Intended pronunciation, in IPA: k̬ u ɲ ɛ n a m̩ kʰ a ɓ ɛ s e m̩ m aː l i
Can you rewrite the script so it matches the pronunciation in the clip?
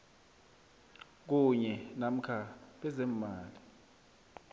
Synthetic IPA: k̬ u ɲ ɛ n a m̩ kʰ a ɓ ɛ z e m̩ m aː l i